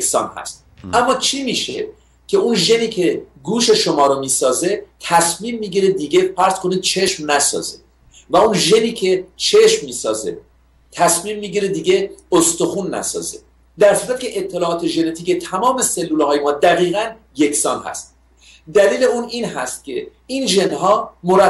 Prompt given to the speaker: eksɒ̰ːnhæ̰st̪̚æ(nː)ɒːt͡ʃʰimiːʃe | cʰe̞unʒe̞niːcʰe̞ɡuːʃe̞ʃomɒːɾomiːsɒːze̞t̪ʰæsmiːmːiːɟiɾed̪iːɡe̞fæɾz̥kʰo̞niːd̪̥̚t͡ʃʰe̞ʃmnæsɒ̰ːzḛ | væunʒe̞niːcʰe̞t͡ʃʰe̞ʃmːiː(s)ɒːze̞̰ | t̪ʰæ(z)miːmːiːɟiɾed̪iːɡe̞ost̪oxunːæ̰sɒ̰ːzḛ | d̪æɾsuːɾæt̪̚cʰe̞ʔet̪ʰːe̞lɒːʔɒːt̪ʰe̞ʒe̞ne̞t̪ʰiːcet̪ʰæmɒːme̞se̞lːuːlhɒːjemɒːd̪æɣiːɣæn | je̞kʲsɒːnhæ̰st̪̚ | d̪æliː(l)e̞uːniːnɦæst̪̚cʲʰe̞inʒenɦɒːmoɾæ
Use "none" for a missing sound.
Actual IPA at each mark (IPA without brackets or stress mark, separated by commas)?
mː, s, s, l